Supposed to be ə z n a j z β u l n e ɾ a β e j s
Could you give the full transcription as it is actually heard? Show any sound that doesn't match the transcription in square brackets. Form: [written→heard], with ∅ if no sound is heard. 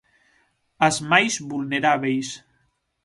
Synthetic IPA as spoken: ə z [n→m] a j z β u l n e ɾ a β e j s